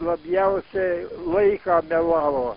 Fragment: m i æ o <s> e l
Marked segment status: correct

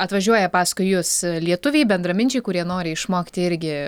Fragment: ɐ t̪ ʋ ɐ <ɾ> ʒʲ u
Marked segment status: incorrect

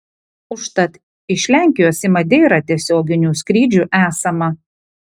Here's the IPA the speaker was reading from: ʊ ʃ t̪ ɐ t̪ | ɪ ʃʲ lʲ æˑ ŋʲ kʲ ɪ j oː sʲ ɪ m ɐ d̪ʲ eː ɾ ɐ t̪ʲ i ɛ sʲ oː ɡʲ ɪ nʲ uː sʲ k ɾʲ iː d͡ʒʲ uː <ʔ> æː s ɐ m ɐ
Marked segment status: correct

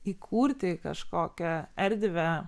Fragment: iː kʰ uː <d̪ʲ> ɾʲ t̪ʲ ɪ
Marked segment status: incorrect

